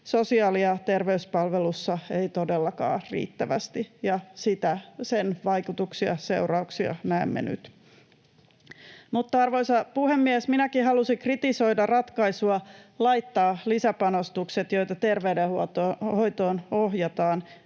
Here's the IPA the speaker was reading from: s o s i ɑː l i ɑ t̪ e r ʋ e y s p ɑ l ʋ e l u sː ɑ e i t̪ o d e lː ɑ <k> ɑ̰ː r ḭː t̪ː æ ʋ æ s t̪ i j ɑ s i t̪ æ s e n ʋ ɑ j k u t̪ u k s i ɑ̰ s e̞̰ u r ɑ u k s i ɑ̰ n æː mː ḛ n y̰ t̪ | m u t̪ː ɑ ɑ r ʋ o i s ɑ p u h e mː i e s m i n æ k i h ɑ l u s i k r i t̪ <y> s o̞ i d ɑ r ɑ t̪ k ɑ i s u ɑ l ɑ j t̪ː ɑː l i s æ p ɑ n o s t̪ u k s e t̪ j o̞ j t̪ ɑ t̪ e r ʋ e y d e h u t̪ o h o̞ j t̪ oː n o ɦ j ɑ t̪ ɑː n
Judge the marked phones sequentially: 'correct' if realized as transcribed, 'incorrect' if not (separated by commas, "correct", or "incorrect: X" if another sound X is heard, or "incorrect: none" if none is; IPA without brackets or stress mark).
correct, incorrect: i